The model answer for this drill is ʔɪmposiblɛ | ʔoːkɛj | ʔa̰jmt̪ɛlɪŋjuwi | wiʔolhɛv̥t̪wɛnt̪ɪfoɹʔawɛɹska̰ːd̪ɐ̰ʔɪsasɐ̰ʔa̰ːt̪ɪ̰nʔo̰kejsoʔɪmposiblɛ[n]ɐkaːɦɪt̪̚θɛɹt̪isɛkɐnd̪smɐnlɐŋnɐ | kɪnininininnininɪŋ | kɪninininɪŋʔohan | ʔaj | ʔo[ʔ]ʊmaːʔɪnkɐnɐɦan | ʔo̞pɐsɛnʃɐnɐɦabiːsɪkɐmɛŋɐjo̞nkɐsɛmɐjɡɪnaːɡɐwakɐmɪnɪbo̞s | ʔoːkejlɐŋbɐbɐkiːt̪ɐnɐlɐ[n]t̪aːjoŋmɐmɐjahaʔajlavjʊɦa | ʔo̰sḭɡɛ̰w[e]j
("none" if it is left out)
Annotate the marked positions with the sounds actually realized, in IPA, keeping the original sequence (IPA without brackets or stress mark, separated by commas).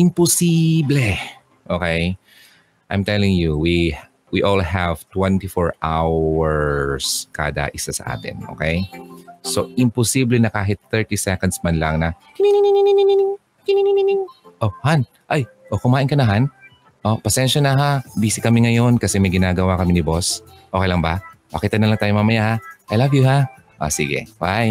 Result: n, k, ŋ, a